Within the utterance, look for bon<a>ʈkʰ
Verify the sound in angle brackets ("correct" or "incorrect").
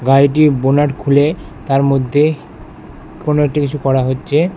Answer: correct